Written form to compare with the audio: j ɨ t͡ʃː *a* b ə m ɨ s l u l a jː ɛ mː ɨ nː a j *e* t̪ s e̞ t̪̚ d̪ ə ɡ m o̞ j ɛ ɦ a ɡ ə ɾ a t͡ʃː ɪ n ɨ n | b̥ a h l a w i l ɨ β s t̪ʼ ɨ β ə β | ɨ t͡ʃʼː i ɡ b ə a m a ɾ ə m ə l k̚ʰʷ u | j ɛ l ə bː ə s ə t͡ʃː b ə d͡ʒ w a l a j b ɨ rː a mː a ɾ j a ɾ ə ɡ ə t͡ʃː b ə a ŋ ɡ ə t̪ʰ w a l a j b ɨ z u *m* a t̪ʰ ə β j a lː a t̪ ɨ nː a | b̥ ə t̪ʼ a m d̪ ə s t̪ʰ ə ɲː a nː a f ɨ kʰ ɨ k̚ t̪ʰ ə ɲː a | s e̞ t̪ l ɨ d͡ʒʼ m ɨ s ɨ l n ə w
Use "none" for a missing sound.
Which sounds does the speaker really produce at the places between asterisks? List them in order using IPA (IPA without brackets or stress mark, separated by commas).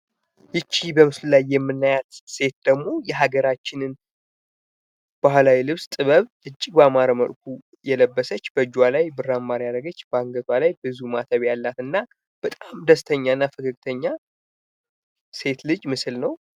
i, a, m